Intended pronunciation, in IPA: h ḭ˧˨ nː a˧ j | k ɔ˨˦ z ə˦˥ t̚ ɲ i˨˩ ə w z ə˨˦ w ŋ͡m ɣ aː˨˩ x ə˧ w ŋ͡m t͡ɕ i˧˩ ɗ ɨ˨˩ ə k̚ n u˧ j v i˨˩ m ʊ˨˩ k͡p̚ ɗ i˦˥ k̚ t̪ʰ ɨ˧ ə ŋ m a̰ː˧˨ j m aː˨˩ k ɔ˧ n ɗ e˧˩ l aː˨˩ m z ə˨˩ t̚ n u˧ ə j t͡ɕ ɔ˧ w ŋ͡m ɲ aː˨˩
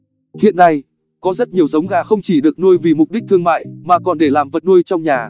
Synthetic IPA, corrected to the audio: h ḭ˧˨ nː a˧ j | k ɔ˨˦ z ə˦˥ t̚ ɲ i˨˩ ə w z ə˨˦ w ŋ͡m ɣ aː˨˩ x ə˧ w ŋ͡m t͡ɕ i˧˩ ɗ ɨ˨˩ ə k̚ n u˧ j v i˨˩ m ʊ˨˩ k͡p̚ ɗ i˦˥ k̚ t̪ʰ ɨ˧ ə ŋ m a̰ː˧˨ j m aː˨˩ k ɔ˨˩ n ɗ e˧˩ l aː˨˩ m v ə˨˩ t̚ n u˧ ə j t͡ɕ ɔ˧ w ŋ͡m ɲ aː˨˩